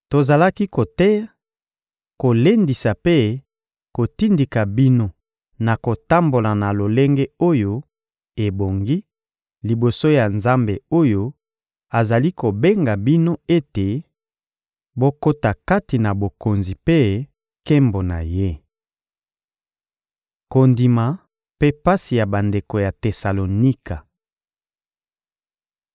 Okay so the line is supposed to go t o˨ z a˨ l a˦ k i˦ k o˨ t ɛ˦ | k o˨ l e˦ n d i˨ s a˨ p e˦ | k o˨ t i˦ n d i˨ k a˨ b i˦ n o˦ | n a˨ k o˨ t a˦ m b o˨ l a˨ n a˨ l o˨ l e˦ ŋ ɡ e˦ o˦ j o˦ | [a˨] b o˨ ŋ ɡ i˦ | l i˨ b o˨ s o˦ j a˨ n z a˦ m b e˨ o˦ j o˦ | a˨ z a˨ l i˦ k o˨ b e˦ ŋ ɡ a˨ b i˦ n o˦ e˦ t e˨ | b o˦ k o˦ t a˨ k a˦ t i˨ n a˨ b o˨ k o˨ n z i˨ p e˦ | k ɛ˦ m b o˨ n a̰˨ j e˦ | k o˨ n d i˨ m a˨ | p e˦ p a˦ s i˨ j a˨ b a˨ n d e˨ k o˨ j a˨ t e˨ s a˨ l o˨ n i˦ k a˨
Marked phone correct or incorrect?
incorrect